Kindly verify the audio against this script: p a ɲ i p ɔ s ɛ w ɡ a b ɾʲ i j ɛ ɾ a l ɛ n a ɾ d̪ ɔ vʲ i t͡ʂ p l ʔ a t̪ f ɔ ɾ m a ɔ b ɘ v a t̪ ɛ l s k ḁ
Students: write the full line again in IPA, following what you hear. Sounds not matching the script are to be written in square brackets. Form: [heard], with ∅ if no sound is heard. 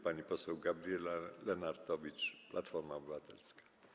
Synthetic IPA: p a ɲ i p ɔ s ɛ w ɡ a b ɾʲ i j ɛ [l] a l ɛ n a ɾ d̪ ɔ vʲ i t͡ʂ p l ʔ a t̪ f ɔ ɾ m a ɔ b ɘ v a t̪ ɛ l s k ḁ